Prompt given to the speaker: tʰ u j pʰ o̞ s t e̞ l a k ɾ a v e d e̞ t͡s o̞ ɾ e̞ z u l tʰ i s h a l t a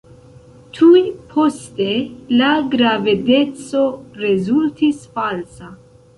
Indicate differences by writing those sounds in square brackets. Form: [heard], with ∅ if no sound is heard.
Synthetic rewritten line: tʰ u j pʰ o̞ s t e̞ l a [ɡ] ɾ a v e d e̞ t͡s o̞ ɾ e̞ z u l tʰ i s [f] a l [s] a